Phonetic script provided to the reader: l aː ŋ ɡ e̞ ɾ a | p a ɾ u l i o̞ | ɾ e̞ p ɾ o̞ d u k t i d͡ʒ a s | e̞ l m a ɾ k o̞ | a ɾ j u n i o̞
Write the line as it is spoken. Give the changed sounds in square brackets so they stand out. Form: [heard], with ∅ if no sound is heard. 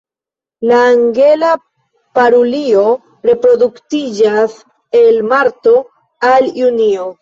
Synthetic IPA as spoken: l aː ŋ ɡ e̞ [l] a | p a ɾ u l i o̞ | ɾ e̞ p ɾ o̞ d u k t i d͡ʒ a s | e̞ l m a ɾ [t] o̞ | a [l] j u n i o̞